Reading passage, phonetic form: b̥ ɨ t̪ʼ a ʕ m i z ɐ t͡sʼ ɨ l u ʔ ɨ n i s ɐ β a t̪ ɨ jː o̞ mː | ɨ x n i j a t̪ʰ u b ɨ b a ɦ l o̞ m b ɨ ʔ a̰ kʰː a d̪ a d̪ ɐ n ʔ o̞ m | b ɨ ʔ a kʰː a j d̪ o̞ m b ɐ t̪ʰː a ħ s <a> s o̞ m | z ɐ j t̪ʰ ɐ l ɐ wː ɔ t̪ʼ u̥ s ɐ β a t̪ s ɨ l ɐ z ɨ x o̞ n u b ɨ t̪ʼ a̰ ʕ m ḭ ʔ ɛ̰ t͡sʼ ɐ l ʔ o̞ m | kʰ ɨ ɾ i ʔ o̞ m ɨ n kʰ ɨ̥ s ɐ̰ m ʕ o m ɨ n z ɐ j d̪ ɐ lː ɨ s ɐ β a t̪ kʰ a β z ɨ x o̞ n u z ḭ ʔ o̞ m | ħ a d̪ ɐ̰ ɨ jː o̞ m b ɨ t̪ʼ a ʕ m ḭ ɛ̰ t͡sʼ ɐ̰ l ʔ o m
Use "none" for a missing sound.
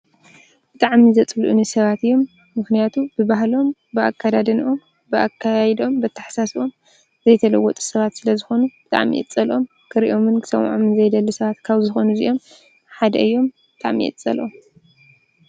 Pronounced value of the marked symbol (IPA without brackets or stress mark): a